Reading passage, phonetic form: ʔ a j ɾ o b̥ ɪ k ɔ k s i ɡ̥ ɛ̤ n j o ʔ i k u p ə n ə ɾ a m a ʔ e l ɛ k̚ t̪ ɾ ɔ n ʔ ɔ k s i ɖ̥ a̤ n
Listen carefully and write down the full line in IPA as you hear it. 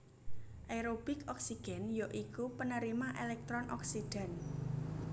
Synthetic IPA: ʔ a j ɾ o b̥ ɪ k ɔ k s i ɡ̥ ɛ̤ n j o ʔ i k u p ə n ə ɾ i m a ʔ e l ɛ k̚ t̪ ɾ ɔ n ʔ ɔ k s i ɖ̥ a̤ n